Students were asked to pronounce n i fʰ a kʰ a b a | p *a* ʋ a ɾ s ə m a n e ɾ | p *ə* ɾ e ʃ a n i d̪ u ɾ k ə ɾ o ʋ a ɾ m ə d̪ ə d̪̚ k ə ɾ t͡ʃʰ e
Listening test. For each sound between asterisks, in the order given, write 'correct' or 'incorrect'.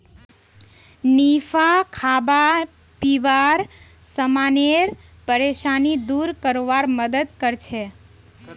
incorrect: i, correct

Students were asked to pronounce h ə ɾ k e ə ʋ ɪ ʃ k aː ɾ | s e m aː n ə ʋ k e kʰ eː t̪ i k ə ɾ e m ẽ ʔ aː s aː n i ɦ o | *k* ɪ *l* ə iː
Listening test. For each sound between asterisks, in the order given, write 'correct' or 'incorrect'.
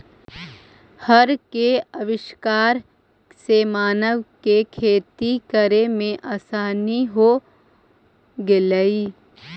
incorrect: ɡ, correct

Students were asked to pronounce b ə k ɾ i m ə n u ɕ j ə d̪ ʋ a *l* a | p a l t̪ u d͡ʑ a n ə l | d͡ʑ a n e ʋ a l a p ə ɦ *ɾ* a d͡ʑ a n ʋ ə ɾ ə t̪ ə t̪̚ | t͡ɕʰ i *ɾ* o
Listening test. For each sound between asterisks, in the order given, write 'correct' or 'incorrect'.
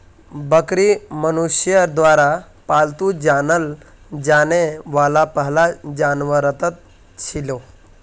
incorrect: ɾ, incorrect: l, incorrect: l

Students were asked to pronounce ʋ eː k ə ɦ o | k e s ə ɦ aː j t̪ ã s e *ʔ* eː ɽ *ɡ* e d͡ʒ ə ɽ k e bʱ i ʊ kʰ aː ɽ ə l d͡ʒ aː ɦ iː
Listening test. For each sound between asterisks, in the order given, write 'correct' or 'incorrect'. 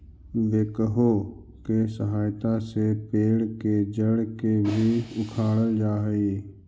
incorrect: p, incorrect: k

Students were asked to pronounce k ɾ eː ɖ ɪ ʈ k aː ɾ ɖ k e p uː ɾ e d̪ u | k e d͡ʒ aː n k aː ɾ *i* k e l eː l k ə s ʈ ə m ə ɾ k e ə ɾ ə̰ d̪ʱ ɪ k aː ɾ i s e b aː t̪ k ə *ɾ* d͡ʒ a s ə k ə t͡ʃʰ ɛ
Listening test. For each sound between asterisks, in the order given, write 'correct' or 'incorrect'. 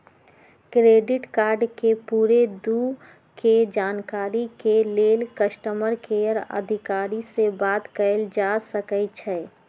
correct, incorrect: l

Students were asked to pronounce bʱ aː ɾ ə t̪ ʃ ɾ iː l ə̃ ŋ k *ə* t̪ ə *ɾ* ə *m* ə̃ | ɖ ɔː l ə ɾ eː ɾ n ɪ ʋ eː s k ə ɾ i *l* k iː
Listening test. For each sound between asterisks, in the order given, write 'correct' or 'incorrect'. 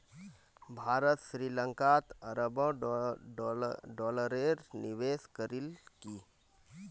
incorrect: a, correct, incorrect: b, correct

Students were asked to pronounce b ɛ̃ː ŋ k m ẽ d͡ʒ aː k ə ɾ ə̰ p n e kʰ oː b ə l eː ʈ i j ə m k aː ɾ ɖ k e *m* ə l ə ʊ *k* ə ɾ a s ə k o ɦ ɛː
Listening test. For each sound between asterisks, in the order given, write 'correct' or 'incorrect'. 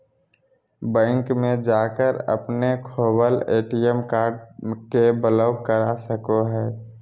incorrect: b, correct

